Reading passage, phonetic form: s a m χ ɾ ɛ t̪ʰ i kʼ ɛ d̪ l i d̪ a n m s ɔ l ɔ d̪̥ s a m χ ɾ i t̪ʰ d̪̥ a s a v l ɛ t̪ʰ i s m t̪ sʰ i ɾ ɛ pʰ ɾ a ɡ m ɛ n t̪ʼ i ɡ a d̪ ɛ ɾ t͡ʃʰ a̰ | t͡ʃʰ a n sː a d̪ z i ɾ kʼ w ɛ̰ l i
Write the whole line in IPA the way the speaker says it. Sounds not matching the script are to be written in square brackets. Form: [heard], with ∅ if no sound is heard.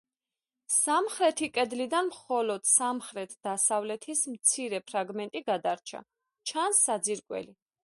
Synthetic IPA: s a m χ ɾ ɛ t̪ʰ i kʼ ɛ d̪ l i d̪ a n m [χ] ɔ l ɔ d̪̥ s a m χ ɾ [ɛ] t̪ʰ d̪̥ a s a v l ɛ t̪ʰ i s m t̪ sʰ i ɾ ɛ pʰ ɾ a ɡ m ɛ n t̪ʼ i ɡ a d̪ [a] ɾ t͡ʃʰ a̰ | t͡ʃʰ a n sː a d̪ z i ɾ kʼ w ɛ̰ l i